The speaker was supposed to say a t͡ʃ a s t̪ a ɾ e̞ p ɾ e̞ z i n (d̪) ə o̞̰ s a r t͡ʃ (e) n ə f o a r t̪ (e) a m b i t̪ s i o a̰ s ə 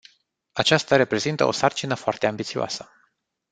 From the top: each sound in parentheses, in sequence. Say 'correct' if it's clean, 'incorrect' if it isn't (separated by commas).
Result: incorrect, incorrect, correct